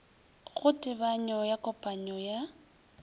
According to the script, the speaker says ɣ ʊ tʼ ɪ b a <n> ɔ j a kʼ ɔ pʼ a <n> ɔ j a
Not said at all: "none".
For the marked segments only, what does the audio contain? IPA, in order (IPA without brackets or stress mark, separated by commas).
ɲ, ɲ